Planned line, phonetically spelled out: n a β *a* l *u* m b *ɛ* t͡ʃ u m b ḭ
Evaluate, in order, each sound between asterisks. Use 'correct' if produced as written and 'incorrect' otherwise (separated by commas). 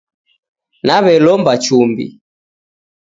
incorrect, incorrect, incorrect